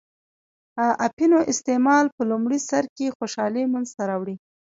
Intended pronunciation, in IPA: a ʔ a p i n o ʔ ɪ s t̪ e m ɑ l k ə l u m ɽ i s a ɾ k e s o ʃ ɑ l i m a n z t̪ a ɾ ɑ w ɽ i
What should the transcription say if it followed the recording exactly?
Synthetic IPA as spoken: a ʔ a p i n o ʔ ɪ s t̪ e m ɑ l p ə l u m ɽ i s a ɾ k e x o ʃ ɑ l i m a n z t̪ a ɾ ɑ w ɽ i